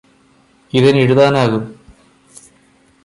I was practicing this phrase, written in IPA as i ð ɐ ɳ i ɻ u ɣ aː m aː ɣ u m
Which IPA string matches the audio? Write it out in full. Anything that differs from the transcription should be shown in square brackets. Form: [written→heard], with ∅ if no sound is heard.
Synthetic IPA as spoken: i ð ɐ [ɳ→n] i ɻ u [ɣ→ð] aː [m→n] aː ɣ u m

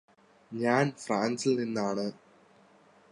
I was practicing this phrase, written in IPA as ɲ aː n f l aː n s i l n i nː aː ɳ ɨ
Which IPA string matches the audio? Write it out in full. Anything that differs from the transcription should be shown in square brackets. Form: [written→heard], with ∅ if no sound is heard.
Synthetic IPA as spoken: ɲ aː n f [l→r] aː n s i l n i nː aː ɳ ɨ

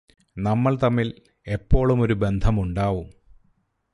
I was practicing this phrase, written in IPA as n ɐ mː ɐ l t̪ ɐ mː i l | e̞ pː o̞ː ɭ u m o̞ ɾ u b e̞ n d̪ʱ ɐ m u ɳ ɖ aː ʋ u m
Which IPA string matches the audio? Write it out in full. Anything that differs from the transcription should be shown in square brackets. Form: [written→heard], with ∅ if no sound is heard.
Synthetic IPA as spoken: n ɐ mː ɐ [l→ɭ] t̪ ɐ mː i l | e̞ pː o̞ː ɭ u m o̞ ɾ u b e̞ n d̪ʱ ɐ m u ɳ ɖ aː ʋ u m

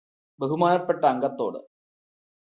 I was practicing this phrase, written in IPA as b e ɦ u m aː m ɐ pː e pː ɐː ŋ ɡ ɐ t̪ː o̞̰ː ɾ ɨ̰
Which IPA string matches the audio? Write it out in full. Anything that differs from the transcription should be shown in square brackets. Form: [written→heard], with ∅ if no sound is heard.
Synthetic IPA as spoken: b e ɦ u m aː [m→n] ɐ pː e [pː→ʈː] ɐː ŋ ɡ ɐ t̪ː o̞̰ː [ɾ→ɽ] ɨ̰

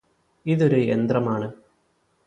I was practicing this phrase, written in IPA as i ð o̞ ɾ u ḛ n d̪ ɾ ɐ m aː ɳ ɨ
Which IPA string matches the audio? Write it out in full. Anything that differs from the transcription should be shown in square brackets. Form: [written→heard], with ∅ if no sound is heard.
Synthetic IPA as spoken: i ð o̞ ɾ u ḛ n d̪ [ɾ→r] ɐ m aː ɳ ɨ

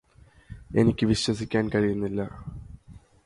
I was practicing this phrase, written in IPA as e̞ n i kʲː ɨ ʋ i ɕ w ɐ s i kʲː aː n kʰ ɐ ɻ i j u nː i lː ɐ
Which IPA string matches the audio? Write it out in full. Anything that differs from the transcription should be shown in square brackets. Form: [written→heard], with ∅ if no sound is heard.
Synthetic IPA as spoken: e̞ n i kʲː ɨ ʋ i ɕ w ɐ s i kʲː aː n [kʰ→k] ɐ ɻ i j u nː i lː ɐ

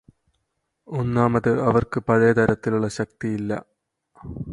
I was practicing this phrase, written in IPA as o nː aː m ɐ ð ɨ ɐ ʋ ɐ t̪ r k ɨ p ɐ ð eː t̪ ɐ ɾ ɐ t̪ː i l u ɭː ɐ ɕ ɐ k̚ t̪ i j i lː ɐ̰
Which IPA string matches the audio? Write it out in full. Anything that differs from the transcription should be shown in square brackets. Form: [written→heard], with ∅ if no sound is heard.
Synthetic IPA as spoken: o nː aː m ɐ ð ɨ ɐ ʋ ɐ [t̪→∅] r k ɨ p ɐ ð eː t̪ ɐ ɾ ɐ t̪ː i l u ɭː ɐ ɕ ɐ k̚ t̪ i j i lː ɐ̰

